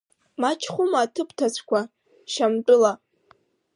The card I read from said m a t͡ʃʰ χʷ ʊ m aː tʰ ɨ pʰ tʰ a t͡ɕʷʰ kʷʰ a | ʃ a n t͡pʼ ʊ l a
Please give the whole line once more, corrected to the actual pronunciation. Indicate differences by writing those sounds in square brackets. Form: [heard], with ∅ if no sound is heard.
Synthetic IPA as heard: m a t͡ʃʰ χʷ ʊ m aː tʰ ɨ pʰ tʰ a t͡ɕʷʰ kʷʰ a | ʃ a [m] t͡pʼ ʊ l a